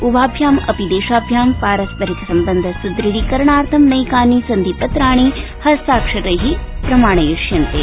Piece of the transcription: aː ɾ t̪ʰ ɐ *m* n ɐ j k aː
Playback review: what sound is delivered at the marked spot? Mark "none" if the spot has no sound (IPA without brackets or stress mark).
m